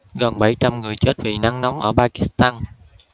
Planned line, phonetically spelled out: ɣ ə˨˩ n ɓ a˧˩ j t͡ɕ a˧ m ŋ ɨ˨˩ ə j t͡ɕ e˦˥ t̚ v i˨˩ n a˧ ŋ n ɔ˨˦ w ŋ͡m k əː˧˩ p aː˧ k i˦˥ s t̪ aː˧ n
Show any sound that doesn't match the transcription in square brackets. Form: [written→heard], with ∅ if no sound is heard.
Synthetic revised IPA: ɣ ə˨˩ n ɓ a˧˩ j t͡ɕ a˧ m ŋ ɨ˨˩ ə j t͡ɕ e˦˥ t̚ v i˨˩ n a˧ ŋ n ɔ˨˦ w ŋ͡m [k→ʔ] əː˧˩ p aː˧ k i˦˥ s t̪ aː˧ n